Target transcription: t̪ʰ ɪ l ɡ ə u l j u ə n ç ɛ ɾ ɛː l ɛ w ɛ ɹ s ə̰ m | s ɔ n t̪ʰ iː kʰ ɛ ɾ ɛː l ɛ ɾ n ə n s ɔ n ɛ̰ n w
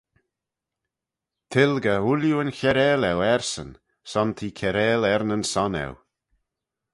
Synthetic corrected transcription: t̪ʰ ɪ l ɡ ə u l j u ə n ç ɛ ɾ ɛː l ɛ w ɛ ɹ s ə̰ n | s ɔ n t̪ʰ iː kʰ ɛ ɾ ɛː l ɛ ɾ n ə n s ɔ n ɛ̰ w